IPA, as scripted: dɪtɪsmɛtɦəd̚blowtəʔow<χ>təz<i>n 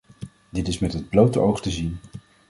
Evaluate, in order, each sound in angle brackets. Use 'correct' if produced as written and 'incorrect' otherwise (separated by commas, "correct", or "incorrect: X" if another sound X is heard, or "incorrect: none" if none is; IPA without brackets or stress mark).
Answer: correct, correct